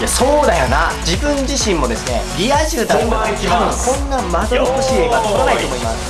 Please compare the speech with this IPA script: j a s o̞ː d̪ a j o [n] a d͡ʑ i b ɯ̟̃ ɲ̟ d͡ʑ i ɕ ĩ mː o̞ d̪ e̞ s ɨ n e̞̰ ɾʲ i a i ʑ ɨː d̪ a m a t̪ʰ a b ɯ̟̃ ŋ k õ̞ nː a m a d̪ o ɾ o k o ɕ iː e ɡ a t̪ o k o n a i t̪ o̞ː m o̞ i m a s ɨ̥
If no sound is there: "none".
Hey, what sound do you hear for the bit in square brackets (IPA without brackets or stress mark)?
n